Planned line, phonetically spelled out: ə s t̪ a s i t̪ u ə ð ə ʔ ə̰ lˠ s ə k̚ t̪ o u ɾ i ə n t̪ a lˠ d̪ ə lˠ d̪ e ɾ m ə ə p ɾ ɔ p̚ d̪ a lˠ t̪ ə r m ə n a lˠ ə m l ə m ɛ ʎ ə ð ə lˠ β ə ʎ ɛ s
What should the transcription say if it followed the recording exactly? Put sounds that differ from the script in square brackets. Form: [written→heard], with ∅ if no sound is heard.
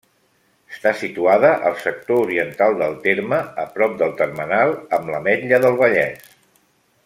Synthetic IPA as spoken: ə s t̪ a s i t̪ u [ə→a] ð ə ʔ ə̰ lˠ s ə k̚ t̪ o u ɾ i ə n t̪ a lˠ d̪ ə lˠ [d̪→t̪] e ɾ m ə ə p ɾ ɔ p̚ d̪ [a→ə] lˠ t̪ ə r m ə n a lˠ ə m l ə m ɛ ʎ ə ð ə lˠ β ə ʎ ɛ s